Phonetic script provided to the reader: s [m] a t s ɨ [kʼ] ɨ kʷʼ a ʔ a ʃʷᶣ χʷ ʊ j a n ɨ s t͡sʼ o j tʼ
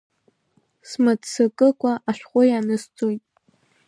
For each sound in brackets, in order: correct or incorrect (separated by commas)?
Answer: correct, correct